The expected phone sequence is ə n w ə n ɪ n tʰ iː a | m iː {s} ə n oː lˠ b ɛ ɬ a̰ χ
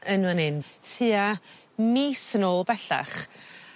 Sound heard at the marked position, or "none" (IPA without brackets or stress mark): s